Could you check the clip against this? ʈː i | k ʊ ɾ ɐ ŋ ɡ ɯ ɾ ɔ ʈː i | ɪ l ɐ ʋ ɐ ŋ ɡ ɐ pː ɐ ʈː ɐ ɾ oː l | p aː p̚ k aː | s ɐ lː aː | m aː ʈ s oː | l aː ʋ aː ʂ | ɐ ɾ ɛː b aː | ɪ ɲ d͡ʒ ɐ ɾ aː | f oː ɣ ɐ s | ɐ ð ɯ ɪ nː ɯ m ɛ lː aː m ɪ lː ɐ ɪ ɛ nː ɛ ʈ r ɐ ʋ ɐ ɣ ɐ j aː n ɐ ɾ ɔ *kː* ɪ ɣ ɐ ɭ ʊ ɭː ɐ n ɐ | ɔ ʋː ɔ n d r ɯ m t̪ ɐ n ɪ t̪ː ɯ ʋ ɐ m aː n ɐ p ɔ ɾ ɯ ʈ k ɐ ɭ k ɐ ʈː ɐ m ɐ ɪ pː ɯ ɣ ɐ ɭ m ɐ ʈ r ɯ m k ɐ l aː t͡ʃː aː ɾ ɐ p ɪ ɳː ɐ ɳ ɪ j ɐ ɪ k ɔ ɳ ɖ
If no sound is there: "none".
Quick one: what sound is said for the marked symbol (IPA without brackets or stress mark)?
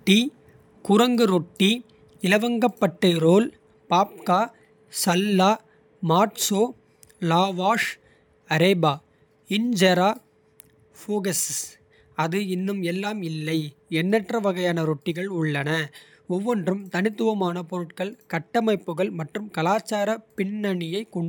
ʈː